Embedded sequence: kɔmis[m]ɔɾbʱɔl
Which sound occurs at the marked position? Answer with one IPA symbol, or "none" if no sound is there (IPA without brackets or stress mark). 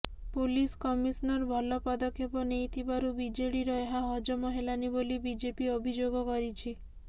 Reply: n